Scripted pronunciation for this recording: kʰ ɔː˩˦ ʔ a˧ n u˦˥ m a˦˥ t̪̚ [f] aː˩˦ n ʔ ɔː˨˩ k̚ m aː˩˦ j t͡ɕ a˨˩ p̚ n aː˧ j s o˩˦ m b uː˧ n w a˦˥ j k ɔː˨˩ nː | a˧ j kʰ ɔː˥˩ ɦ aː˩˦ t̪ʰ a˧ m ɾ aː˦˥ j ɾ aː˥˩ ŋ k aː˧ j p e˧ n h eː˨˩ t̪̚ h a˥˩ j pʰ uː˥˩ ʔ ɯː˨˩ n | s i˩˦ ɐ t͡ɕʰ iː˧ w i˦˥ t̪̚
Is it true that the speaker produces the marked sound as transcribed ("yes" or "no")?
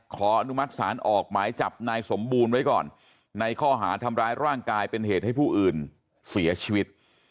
no